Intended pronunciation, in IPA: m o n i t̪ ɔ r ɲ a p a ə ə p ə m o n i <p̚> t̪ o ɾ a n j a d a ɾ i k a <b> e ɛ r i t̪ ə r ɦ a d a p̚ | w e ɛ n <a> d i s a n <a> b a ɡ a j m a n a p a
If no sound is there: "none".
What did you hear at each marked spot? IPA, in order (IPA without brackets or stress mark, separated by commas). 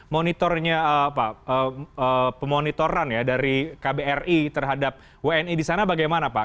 none, b, i, a